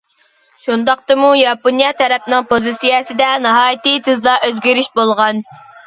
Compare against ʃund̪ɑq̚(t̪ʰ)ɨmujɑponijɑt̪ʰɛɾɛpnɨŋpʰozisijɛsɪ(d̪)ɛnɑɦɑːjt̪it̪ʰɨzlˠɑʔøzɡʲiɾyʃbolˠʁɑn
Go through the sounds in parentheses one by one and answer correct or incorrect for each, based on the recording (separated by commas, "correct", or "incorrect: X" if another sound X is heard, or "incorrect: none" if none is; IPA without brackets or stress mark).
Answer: incorrect: t̪, correct